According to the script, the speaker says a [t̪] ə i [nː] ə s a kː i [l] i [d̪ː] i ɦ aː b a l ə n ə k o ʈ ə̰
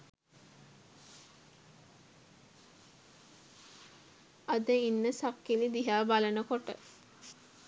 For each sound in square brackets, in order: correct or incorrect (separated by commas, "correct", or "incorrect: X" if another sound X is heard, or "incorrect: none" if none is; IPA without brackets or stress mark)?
incorrect: d̪, correct, correct, incorrect: d̪